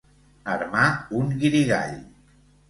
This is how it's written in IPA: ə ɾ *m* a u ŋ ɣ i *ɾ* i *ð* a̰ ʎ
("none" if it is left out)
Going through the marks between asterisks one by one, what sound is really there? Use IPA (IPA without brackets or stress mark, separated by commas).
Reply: m, ɾ, ɣ